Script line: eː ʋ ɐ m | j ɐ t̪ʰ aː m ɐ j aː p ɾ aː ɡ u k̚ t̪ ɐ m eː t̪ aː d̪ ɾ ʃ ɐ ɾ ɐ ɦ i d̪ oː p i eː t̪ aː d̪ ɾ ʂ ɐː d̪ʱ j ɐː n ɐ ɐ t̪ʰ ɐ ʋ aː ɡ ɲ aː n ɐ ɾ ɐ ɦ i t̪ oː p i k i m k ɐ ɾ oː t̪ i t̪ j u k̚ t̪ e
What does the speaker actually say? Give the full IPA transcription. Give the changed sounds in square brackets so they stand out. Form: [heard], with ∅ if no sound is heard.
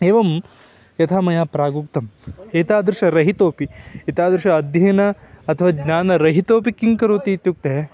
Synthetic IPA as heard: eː ʋ ɐ m | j ɐ t̪ʰ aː m ɐ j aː p ɾ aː ɡ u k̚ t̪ ɐ m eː t̪ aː d̪ ɾ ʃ ɐ ɾ ɐ ɦ i [t̪] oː p i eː t̪ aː d̪ ɾ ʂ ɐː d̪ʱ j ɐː n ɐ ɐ t̪ʰ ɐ ʋ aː ɡ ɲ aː n ɐ ɾ ɐ ɦ i t̪ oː p i k i [ŋ] k ɐ ɾ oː t̪ i t̪ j u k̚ t̪ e

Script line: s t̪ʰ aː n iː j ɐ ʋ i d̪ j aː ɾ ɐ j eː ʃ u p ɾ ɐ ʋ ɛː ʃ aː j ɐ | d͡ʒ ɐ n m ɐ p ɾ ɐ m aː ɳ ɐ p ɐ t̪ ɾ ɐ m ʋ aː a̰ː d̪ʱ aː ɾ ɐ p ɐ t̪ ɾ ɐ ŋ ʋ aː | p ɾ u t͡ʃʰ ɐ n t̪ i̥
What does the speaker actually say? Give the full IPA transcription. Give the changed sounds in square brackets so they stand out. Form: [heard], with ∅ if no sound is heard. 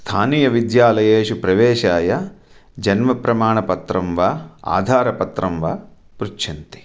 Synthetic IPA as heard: s t̪ʰ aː n iː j ɐ ʋ i d̪ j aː [l] ɐ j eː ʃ u p ɾ ɐ ʋ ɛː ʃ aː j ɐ | d͡ʒ ɐ n m ɐ p ɾ ɐ m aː ɳ ɐ p ɐ t̪ ɾ ɐ m ʋ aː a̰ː d̪ʱ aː ɾ ɐ p ɐ t̪ ɾ ɐ [m] ʋ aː | p ɾ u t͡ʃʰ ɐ n t̪ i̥

